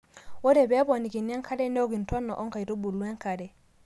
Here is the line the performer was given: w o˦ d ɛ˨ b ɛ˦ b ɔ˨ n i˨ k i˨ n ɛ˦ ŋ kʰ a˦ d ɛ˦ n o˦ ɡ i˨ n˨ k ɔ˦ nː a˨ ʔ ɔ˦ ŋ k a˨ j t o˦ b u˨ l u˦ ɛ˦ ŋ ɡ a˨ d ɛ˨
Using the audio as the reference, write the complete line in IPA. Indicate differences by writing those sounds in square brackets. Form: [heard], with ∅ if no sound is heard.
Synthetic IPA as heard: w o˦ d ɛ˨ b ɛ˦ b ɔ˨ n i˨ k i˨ n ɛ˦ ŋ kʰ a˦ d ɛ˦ n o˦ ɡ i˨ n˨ [t] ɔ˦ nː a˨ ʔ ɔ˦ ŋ k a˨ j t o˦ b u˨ l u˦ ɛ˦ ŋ [k] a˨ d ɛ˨